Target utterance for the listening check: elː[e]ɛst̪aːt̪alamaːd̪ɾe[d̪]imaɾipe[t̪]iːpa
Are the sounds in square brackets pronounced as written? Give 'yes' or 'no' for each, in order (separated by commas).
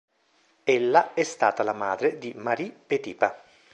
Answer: no, yes, yes